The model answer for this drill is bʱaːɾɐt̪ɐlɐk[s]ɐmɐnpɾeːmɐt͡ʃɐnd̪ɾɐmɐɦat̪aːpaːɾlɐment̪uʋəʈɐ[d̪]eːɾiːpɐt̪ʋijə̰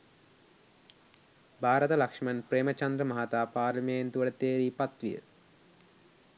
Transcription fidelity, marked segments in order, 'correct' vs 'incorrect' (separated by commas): incorrect, incorrect